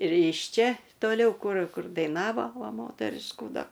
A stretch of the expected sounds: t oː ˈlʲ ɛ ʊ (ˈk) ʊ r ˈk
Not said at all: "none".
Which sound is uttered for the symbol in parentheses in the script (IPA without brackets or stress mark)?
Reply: k